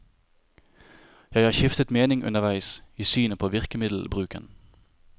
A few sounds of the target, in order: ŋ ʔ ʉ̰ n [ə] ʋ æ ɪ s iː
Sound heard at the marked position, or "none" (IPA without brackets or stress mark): ə